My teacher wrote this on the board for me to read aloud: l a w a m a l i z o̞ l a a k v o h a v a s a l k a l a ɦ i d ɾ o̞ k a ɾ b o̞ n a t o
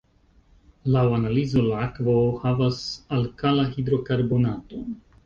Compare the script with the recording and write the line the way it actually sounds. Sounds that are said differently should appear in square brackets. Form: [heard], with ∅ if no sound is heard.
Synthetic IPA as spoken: l a w a [n] a l i z o̞ l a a k v o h a v a s a l k a l a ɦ i d ɾ o̞ k a ɾ b o̞ n a t o